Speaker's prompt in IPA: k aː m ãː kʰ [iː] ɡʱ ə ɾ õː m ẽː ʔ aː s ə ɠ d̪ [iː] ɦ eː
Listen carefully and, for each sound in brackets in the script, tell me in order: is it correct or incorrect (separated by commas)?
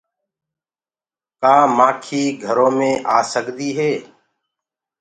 correct, correct